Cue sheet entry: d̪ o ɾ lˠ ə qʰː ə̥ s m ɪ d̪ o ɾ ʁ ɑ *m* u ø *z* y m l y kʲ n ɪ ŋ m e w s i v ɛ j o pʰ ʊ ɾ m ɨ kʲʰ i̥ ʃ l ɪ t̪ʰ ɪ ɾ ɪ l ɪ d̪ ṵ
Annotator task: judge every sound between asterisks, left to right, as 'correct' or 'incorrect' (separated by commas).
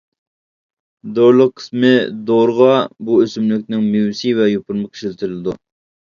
incorrect, incorrect